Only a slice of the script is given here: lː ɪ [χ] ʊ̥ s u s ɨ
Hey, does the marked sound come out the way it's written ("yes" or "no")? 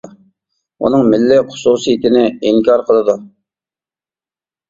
yes